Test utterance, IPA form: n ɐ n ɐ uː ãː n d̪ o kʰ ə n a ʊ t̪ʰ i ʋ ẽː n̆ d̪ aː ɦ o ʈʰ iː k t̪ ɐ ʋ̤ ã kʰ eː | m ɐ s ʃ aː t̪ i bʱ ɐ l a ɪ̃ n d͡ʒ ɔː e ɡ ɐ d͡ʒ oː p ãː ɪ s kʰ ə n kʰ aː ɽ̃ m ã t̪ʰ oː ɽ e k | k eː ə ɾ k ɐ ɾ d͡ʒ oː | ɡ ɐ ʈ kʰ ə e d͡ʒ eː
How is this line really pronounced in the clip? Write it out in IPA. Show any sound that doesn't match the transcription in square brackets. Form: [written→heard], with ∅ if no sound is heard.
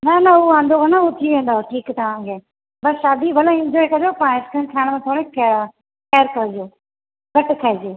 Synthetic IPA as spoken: n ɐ n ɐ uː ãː n d̪ o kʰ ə n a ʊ t̪ʰ i ʋ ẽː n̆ d̪ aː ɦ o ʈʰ iː k t̪ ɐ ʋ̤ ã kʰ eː | [m→b] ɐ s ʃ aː [t̪→d̪] i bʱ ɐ l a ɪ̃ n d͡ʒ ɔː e [ɡ→k] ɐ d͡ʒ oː p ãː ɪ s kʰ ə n kʰ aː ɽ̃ m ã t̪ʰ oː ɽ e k | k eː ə ɾ k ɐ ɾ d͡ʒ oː | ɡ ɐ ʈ kʰ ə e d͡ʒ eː